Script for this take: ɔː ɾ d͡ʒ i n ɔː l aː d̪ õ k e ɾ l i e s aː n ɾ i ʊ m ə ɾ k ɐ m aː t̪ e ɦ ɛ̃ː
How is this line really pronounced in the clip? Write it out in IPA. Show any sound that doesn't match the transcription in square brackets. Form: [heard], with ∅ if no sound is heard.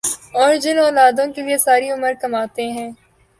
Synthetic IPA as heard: ɔː ɾ d͡ʒ [ɪ] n ɔː l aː d̪ õ k e [∅] l i e s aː [∅] ɾ i ʊ m ə ɾ k ɐ m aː t̪ e ɦ ɛ̃ː